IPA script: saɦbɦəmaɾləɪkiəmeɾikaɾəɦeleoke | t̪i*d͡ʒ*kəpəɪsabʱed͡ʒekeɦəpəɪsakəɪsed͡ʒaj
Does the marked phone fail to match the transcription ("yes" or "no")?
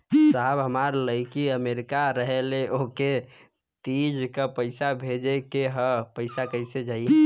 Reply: no